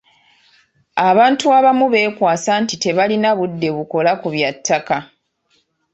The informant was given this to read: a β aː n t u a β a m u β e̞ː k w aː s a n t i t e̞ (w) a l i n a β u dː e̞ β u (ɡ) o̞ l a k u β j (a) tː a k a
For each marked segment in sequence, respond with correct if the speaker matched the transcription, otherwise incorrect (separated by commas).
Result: incorrect, incorrect, correct